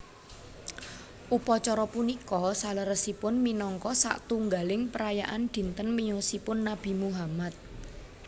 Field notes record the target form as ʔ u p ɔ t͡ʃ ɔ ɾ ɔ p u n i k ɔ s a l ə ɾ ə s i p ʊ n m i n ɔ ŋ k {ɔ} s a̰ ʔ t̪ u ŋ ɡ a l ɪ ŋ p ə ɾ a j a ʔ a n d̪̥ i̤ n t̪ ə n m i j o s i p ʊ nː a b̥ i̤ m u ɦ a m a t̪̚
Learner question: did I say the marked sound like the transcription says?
yes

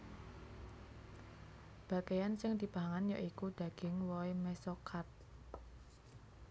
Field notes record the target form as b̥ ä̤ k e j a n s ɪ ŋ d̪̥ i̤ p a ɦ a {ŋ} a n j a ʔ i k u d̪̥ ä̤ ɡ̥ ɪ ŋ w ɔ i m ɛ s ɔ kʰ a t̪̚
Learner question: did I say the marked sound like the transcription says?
yes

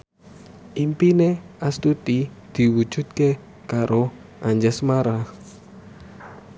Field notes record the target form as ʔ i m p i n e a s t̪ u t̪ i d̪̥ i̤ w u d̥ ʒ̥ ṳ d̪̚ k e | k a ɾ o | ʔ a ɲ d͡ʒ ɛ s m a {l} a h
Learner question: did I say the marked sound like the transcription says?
no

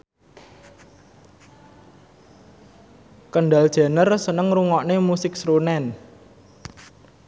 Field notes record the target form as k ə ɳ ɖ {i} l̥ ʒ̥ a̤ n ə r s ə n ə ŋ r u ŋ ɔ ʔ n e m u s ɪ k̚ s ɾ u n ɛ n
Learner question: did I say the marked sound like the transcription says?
no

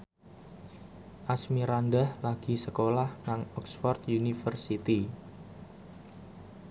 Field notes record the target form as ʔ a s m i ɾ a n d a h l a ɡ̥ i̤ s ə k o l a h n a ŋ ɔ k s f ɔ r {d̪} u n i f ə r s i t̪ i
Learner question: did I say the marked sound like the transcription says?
no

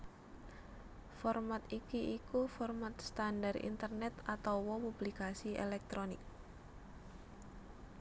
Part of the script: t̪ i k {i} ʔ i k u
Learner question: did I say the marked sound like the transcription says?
yes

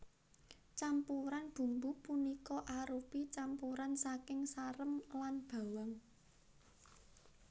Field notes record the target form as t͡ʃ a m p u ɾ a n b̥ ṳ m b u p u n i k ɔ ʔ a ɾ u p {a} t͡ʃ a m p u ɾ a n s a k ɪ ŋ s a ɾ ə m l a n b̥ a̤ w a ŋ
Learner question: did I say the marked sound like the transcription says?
no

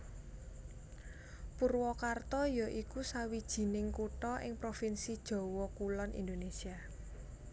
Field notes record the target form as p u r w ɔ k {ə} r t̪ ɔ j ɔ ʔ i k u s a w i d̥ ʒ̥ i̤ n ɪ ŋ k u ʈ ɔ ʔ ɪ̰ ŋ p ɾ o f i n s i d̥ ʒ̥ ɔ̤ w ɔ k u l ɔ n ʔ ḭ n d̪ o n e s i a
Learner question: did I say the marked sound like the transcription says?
no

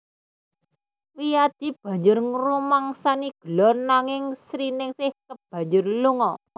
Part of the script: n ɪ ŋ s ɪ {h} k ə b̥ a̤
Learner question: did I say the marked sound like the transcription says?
yes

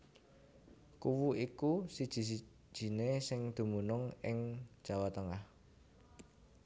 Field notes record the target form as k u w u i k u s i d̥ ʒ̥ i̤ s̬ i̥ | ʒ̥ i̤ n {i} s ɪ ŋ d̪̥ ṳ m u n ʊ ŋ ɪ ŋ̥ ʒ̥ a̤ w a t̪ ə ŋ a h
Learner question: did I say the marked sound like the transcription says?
no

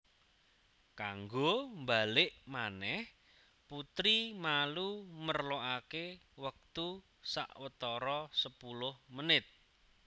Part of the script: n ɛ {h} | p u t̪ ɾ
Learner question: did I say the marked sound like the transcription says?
yes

